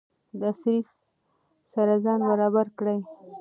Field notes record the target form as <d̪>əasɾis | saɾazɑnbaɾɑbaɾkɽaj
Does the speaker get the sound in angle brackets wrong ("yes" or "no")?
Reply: no